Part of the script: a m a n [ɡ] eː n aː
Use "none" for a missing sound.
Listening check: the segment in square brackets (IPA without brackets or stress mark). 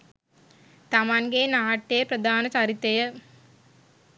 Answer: ɡ